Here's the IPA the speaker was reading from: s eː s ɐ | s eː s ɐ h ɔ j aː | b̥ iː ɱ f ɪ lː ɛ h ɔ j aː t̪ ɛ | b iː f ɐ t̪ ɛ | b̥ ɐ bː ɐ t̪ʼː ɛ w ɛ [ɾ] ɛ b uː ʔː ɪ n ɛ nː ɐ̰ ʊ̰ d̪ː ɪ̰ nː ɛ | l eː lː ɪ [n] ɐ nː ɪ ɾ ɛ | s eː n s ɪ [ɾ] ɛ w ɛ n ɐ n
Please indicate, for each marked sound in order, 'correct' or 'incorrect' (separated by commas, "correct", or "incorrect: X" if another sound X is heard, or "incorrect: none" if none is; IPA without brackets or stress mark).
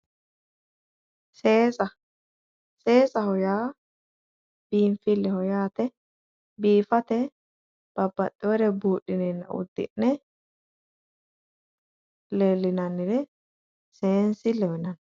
correct, correct, incorrect: l